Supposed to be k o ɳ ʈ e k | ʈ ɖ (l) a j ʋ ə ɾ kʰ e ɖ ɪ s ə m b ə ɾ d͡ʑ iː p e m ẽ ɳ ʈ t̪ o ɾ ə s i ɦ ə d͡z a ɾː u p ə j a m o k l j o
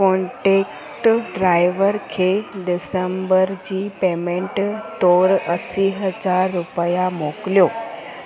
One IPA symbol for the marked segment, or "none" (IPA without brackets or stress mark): ɾ